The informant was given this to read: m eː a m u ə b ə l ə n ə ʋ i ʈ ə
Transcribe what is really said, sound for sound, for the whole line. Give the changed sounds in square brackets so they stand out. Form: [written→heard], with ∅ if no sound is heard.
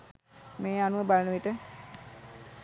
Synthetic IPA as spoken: m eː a [m→n] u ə b [ə→a] l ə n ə ʋ i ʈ ə